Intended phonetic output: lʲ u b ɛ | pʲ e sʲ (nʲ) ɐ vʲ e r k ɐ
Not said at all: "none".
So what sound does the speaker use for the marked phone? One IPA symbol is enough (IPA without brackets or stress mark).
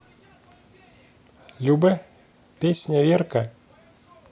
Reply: nʲ